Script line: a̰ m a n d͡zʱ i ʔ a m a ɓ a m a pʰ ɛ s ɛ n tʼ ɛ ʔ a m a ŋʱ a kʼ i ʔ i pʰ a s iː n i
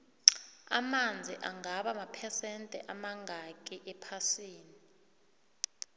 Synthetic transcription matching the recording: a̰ m a n d͡zʱ i ʔ a ŋ a ɓ a m a pʰ ɛ s ɛ n tʼ ɛ ʔ a m a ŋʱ a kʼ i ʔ ɛ pʰ a s iː n i